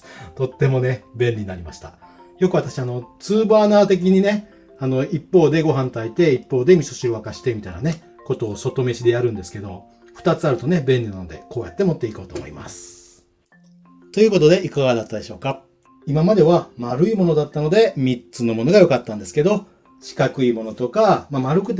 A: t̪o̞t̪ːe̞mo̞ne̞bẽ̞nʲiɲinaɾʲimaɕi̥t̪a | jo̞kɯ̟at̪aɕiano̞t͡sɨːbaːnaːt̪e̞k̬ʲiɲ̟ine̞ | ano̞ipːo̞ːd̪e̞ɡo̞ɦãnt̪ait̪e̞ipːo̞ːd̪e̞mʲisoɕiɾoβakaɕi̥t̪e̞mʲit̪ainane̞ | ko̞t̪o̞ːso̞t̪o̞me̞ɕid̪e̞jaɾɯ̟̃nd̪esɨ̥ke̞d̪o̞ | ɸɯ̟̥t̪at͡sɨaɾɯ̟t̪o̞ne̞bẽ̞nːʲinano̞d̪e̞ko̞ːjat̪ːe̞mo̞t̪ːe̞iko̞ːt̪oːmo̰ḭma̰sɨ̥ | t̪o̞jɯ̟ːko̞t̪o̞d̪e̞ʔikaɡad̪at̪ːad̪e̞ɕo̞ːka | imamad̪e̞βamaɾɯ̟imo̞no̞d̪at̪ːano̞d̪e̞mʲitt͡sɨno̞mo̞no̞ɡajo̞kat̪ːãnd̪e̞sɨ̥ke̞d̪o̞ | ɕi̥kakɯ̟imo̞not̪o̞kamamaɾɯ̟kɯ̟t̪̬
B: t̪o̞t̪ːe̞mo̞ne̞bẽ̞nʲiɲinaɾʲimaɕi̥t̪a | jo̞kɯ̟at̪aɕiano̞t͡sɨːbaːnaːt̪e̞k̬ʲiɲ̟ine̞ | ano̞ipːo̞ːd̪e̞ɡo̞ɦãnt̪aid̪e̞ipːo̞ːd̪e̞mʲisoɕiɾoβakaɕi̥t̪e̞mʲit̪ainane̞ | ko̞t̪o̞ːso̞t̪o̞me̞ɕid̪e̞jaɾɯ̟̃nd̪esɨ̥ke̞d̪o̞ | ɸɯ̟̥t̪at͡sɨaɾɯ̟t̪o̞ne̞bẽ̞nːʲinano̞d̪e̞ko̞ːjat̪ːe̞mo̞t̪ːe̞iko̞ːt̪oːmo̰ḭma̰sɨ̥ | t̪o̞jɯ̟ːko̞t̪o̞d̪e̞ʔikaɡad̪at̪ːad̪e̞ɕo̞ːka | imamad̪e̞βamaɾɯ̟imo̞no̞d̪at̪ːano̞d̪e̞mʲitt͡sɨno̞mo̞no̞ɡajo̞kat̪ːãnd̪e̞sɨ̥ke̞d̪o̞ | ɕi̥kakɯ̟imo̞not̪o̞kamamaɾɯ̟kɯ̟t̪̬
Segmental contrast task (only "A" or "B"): A